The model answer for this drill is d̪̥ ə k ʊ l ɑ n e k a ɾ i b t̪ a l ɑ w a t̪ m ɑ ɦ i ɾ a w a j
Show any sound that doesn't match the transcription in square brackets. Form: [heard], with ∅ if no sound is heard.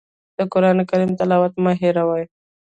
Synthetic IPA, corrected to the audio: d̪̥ ə k ʊ [ɾ] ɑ n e k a ɾ i [m] t̪ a l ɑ w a t̪ m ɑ ɦ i ɾ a w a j